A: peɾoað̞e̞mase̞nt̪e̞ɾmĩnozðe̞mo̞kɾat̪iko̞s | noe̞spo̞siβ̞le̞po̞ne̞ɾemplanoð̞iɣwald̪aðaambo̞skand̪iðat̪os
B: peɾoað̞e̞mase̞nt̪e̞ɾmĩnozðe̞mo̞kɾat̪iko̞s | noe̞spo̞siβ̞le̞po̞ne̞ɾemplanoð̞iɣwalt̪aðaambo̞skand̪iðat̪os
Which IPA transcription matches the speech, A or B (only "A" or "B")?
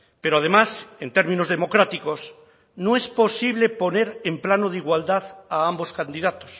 A